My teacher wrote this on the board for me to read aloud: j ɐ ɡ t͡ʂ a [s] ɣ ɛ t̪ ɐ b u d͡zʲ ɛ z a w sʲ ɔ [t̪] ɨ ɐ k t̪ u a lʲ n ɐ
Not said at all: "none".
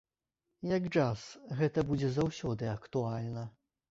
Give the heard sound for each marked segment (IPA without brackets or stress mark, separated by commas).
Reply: s, d̪